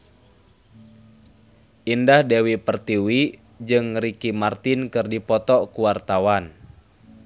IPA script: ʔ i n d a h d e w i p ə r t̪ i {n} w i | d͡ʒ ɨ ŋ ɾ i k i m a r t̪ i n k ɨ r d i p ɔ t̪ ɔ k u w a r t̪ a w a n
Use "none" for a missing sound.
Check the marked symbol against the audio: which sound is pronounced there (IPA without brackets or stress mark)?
none